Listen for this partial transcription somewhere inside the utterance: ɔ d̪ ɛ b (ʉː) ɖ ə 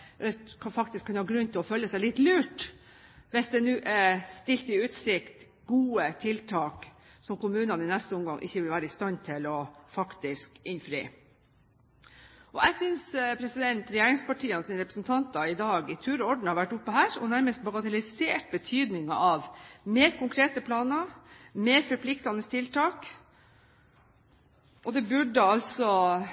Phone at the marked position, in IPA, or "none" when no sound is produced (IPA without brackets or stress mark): ʉ